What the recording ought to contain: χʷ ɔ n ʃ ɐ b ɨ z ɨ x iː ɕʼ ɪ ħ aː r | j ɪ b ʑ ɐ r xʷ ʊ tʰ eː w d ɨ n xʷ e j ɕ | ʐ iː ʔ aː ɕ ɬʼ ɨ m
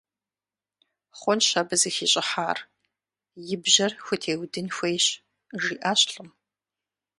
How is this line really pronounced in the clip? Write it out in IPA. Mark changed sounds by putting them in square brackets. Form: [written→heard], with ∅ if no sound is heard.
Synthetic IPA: χʷ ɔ n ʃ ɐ b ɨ z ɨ x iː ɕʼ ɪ ħ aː r | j ɪ b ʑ ɐ r xʷ ʊ tʰ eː w d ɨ n xʷ e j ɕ | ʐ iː ʔ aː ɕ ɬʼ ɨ m